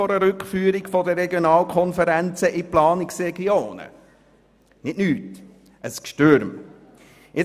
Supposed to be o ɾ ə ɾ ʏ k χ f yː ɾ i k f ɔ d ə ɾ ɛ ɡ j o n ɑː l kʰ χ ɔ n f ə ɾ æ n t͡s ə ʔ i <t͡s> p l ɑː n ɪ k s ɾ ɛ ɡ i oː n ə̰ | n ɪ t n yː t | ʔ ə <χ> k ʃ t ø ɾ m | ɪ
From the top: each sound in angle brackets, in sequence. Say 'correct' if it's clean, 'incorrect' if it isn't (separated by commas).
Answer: incorrect, incorrect